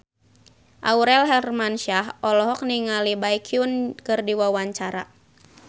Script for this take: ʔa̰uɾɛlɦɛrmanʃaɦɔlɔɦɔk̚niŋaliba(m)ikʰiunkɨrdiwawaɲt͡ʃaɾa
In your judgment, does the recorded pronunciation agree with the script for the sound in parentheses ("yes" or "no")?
no